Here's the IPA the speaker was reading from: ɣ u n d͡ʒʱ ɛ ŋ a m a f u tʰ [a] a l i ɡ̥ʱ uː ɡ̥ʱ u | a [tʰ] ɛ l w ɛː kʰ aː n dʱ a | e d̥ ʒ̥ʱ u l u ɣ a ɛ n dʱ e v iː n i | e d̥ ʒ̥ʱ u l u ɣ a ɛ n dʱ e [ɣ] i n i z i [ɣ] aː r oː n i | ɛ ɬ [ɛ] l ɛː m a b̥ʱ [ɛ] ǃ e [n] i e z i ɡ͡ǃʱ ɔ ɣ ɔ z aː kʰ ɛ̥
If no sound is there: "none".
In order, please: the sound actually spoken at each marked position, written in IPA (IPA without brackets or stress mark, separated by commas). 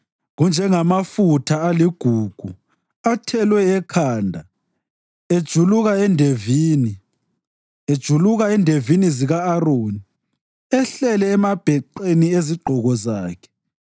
a, tʰ, v, ɣ, ɛ, ɛ, n